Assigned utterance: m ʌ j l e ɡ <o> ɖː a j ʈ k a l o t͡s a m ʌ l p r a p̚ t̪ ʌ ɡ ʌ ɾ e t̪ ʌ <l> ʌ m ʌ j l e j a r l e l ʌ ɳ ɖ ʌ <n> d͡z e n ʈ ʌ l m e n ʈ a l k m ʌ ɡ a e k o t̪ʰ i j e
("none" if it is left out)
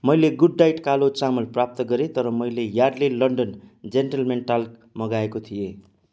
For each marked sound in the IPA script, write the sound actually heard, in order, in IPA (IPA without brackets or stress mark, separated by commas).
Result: u, ɾ, n